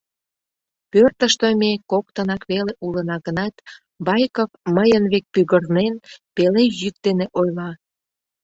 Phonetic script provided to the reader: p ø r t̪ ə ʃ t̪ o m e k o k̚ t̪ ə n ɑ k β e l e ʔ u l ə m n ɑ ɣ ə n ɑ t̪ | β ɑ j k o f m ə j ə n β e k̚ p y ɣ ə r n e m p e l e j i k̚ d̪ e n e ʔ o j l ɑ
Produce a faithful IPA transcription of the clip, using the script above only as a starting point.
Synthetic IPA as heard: p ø r t̪ ə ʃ t̪ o m e k o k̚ t̪ ə n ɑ k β e l e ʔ u l ə n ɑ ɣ ə n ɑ t̪ | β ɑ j k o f m ə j ə n β e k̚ p y ɣ ə r n e n p e l e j y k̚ d̪ e n e ʔ o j l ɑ